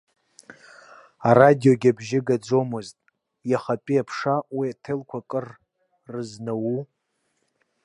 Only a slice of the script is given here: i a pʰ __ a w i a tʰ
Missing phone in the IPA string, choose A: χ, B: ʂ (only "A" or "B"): B